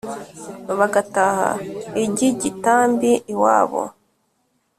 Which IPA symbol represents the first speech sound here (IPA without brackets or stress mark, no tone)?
β